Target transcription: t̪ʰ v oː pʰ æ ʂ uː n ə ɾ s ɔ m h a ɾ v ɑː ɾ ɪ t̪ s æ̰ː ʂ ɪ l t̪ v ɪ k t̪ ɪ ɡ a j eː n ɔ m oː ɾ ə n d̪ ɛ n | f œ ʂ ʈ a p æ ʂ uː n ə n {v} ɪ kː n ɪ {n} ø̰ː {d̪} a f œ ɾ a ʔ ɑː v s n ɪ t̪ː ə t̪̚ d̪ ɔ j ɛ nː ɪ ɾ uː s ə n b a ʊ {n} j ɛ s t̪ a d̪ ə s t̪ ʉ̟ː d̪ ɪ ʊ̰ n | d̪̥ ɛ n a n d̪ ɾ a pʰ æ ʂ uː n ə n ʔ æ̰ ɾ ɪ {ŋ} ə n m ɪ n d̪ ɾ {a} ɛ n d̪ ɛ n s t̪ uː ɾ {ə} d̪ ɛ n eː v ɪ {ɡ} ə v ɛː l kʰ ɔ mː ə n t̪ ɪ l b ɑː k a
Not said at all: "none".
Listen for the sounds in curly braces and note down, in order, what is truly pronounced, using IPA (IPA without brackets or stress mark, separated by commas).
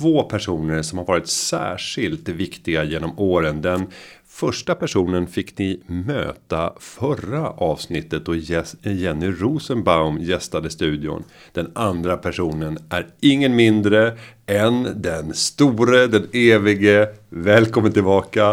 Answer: f, m, t̪, m, ŋː, ə, ə, ɡ